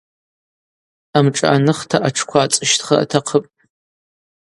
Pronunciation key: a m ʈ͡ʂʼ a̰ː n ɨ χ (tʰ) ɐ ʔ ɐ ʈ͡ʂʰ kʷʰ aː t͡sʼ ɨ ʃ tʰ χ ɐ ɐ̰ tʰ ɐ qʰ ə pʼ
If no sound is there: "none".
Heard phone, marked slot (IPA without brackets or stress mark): tʰ